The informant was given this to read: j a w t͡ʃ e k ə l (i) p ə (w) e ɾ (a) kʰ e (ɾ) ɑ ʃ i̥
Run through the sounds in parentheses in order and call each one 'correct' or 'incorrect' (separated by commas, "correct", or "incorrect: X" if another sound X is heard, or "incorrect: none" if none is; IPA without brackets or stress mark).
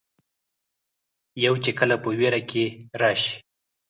incorrect: a, correct, correct, correct